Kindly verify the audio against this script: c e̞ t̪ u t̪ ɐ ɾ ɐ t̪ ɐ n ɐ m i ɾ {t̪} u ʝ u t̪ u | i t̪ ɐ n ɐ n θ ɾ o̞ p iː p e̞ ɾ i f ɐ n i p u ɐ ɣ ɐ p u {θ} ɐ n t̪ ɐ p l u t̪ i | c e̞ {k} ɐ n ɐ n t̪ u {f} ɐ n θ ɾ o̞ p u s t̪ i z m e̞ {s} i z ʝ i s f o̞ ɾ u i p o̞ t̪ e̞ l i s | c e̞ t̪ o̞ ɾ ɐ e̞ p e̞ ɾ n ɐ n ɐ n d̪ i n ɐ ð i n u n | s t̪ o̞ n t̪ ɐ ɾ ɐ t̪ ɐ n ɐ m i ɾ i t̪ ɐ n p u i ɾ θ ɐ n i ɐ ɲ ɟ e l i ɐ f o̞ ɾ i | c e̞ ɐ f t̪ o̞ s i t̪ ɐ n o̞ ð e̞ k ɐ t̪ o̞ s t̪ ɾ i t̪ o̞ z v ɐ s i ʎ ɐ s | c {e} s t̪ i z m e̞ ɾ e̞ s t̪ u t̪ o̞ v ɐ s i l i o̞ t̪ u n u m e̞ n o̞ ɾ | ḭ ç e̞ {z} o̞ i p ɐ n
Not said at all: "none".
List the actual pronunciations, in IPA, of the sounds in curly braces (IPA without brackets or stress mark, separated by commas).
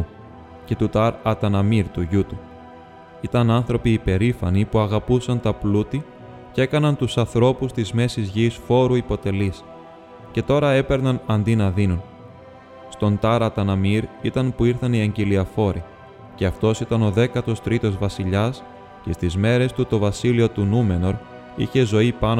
t̪, s, k, s, s, e, z